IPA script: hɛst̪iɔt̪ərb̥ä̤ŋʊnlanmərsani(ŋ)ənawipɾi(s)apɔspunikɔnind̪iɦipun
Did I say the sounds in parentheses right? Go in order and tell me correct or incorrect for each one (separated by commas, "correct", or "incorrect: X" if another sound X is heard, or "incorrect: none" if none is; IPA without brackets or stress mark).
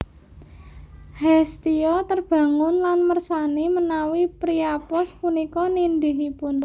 incorrect: m, incorrect: none